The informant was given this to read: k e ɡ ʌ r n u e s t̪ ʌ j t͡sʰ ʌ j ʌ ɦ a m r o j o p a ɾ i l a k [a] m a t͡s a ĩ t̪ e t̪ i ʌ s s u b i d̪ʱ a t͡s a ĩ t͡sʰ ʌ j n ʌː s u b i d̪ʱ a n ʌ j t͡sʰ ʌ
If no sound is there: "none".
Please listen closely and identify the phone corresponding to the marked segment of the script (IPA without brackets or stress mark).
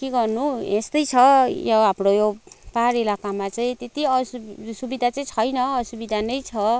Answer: a